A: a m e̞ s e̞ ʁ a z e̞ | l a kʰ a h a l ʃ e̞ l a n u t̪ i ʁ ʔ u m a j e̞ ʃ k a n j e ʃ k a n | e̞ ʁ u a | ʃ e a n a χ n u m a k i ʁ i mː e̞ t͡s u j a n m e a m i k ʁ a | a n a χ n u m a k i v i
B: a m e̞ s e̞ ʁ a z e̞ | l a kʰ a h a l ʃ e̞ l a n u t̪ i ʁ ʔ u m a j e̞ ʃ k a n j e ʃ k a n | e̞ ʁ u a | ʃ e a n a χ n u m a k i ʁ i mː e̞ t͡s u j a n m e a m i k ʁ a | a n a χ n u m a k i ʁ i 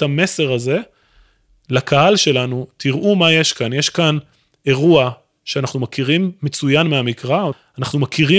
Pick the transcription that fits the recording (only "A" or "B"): B